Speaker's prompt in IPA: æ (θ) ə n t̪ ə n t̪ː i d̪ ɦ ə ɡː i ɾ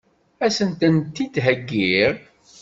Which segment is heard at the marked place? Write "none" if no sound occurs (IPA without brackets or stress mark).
s